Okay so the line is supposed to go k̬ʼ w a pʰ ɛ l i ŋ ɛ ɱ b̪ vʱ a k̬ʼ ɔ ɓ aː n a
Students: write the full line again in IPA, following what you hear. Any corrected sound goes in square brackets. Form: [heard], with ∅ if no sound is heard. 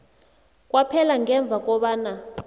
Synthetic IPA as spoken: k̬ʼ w a pʰ ɛ l [a] ŋ ɛ ɱ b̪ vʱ a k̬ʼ ɔ ɓ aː n a

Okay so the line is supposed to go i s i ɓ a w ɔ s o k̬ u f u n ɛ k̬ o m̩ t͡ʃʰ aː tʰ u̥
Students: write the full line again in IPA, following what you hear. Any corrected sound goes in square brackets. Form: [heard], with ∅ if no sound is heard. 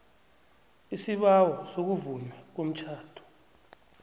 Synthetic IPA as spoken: i s i ɓ a w ɔ s o k̬ u [v] u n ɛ k̬ o m̩ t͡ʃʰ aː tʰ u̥

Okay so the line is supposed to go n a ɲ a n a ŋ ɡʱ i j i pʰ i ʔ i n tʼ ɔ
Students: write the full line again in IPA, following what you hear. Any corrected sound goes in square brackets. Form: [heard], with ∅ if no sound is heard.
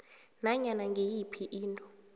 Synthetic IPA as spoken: n a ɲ a n a ŋ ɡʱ [e] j i pʰ i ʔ [iː] n tʼ ɔ

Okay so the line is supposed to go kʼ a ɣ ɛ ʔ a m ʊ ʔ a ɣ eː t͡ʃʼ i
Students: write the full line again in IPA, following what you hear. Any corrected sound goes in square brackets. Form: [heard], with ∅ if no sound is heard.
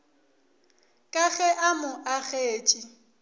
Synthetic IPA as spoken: kʼ a ɣ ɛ ʔ a m ʊ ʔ a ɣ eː t͡ʃʼ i

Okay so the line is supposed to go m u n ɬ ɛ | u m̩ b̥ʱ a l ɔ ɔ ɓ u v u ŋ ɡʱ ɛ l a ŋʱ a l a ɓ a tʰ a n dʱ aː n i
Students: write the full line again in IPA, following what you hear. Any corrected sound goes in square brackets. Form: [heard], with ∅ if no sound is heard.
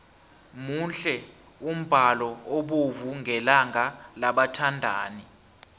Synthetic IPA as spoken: m u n ɬ ɛ | u m̩ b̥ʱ a l ɔ [o] ɓ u v u ŋ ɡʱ ɛ l a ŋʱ a l a ɓ a tʰ a n dʱ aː n i

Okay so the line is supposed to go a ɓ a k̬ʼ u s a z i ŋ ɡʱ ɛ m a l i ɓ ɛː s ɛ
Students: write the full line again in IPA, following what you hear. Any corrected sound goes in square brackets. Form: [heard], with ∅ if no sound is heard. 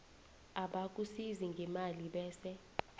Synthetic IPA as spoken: a ɓ a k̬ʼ u s [i] z i ŋ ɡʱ ɛ m a l i ɓ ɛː s ɛ

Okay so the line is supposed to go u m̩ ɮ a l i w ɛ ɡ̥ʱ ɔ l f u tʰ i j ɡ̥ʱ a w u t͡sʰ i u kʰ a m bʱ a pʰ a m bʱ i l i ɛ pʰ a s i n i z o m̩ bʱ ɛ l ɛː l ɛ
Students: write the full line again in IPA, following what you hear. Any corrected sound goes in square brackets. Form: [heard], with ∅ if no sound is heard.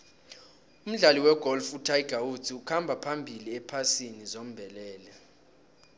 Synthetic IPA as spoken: u m̩ ɮ a l i w ɛ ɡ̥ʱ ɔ l f u tʰ [a] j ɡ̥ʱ a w u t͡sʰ i u kʰ a m bʱ a pʰ a m bʱ i l i ɛ pʰ a s i n i z o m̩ bʱ ɛ l ɛː l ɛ

